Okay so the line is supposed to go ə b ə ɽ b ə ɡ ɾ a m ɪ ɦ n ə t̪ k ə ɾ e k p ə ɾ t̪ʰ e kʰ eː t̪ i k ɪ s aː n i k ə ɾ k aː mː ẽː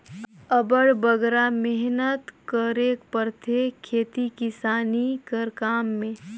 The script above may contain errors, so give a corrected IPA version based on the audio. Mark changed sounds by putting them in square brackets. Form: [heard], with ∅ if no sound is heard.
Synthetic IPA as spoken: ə b ə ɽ b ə ɡ ɾ a m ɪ ɦ n ə t̪ k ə ɾ e k p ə ɾ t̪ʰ e kʰ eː t̪ i k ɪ s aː n i k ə ɾ k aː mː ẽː